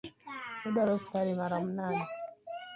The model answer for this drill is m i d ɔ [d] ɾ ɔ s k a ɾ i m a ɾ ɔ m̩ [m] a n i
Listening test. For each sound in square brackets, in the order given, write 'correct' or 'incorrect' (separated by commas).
incorrect, incorrect